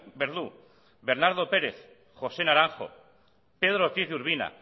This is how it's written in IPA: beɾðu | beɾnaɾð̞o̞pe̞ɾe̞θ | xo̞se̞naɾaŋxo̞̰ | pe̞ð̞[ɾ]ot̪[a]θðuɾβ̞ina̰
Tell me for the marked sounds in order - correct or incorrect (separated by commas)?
correct, incorrect